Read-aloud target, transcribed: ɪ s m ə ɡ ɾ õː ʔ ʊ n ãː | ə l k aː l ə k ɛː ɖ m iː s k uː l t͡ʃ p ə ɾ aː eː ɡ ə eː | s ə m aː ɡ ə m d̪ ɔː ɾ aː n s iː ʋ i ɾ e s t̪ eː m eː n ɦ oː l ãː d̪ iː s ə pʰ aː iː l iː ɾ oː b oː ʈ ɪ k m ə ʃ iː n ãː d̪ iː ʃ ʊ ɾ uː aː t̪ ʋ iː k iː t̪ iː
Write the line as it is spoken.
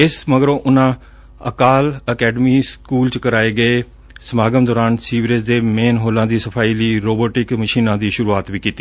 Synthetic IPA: ɪ s m ə ɡ ɾ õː ʔ ʊ n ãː | ə k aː l ə k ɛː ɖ m iː s k uː l t͡ʃ k ə ɾ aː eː ɡ ə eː | s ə m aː ɡ ə m d̪ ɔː ɾ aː n s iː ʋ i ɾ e s d̪ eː m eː n ɦ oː l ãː d̪ iː s ə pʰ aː iː l iː ɾ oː b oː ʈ ɪ k m ə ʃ iː n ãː d̪ iː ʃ ʊ ɾ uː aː t̪ ʋ iː k iː t̪ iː